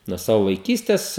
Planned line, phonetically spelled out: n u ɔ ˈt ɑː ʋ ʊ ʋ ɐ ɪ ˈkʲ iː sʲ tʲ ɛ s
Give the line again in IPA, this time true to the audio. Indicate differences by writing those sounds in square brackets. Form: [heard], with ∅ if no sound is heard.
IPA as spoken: n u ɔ [ˈs] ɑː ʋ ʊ ʋ ɐ ɪ ˈkʲ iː sʲ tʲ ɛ s